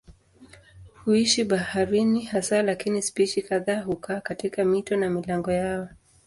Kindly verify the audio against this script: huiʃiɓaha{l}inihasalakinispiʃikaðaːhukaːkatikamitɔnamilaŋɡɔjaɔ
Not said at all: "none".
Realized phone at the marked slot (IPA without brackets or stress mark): ɾ